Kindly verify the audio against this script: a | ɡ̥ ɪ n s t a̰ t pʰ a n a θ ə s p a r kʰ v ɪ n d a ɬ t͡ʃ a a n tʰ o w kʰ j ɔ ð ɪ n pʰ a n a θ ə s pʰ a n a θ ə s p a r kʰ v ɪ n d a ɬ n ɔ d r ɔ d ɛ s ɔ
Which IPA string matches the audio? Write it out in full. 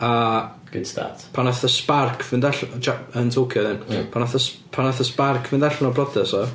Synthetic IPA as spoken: a | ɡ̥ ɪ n s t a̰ t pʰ a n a θ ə s p a r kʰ v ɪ n d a ɬ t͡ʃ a ə n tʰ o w kʰ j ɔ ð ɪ n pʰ a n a θ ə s pʰ a n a θ ə s p a r kʰ v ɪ n d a ɬ n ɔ b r ɔ d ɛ s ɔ

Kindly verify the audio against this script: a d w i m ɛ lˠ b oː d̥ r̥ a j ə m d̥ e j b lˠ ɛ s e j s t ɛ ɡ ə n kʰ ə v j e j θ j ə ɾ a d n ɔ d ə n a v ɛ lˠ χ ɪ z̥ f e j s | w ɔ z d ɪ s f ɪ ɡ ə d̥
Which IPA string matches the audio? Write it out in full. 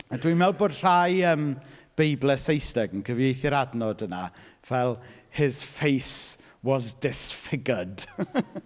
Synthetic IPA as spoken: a d w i m ɛ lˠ b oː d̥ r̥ a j ə m b̥ e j b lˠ ɛ s e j s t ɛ ɡ ə n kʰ ə v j e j θ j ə ɾ a d n ɔ d ə n a v ɛ lˠ h ɪ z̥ f e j s | w ɔ z d ɪ s f ɪ ɡ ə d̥

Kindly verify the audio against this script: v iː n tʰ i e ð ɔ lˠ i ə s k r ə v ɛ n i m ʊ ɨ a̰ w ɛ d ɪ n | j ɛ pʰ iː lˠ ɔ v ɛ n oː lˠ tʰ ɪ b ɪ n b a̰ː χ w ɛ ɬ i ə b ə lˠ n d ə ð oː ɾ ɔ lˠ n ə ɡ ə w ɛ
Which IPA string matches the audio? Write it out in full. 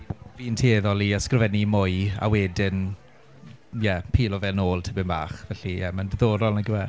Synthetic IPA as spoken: v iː n tʰ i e ð ɔ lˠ i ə s k r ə v ɛ n i m ʊ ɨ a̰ w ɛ d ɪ n | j ɛ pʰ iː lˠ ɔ v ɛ n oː lˠ tʰ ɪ b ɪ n b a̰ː χ v ɛ ɬ i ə m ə n d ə ð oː ɾ ɔ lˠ n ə ɡ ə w ɛ

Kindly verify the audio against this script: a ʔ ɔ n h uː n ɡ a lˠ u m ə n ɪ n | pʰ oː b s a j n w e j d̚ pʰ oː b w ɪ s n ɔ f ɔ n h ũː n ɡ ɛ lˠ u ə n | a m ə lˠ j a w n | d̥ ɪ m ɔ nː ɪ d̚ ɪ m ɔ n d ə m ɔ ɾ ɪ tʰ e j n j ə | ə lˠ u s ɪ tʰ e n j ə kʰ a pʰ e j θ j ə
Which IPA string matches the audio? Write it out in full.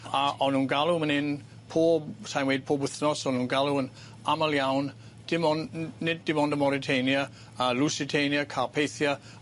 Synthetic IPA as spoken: a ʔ ɔ n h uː n ɡ a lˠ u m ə n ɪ n | pʰ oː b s a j n w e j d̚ pʰ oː b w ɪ θ n ɔ s ɔ n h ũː n ɡ a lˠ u ə n | a m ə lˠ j a w n | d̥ ɪ m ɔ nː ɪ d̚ ɪ m ɔ n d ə m ɔ ɾ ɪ tʰ e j n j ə | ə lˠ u s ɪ tʰ e n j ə kʰ a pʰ e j θ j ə

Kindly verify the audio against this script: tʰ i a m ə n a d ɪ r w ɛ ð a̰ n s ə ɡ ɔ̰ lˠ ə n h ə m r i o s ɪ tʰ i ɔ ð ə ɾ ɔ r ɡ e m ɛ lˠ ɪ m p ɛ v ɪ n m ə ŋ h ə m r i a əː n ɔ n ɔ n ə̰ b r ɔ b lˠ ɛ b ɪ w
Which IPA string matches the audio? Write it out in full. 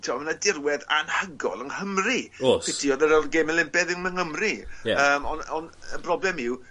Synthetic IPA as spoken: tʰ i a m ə n a d ɪ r w ɛ ð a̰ n h ə ɡ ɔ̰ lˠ ə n h ə m r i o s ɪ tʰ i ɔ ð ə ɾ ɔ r ɡ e m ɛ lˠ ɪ m p ɛ ð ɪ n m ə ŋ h ə m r i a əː m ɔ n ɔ n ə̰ b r ɔ b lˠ ɛ m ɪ w

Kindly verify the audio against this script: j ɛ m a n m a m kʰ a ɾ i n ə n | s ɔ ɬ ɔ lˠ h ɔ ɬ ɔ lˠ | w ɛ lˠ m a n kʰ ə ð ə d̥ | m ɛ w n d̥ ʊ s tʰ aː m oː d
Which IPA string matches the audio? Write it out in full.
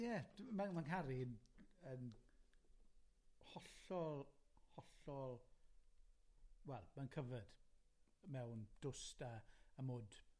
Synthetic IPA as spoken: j ɛ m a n m a n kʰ a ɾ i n ə n | h ɔ ɬ ɔ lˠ h ɔ ɬ ɔ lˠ | w ɛ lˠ m a n kʰ ə v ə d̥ | m ɛ w n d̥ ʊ s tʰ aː m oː d

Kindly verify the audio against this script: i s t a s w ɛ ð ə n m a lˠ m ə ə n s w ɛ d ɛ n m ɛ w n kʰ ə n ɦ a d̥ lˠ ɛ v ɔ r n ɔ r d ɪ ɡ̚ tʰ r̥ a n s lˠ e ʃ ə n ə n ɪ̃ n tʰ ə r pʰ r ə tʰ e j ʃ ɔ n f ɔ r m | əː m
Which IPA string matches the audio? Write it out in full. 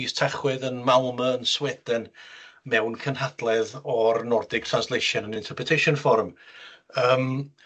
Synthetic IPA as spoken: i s tʰ a χ w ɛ ð ə n m a lˠ m ə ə n s w ɛ d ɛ n m ɛ w n kʰ ə n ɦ a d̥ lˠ ɛ ð ɔ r n ɔ r d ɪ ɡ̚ tʰ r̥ a n s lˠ e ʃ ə n ə n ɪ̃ n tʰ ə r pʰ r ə tʰ e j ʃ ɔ n f ɔ r m | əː m

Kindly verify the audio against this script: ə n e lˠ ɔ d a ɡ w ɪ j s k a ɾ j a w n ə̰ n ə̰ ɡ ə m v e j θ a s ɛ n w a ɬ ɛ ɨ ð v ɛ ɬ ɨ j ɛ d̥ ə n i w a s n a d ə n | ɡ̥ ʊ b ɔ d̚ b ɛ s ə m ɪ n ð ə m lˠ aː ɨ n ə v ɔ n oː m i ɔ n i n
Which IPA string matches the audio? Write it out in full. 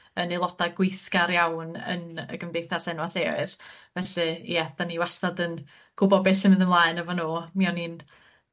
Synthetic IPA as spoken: ə n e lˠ ɔ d a ɡ w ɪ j θ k a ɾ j a w n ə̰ n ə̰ ɡ ə m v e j θ a s ɛ n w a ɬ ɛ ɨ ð v ɛ ɬ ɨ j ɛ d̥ a n i w a s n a d ə n | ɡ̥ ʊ b ɔ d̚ b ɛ s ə m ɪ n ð ə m lˠ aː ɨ n ə v ɔ n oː m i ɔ n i n

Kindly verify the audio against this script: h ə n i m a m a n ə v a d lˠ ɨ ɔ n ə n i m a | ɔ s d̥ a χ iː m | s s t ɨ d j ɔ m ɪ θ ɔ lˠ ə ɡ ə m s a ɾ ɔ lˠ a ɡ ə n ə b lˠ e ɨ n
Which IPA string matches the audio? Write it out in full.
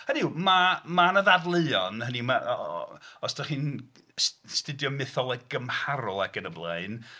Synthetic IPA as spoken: h ə n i m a m a n ə ð a d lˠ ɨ ɔ n ə n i m a | ɔ s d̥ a χ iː n | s s t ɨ d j ɔ m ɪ θ ɔ lˠ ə ɡ ə m h a ɾ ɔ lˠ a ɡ ə n ə b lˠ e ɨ n

